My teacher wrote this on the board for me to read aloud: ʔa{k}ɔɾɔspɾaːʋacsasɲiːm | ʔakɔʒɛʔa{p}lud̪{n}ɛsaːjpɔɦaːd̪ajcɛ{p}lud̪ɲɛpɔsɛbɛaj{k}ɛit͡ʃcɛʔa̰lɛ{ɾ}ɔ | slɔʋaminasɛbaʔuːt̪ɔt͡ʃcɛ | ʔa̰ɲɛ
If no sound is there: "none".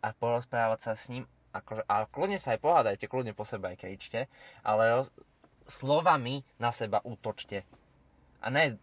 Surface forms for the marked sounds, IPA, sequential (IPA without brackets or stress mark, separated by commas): p, k, ɲ, k, k, ɾ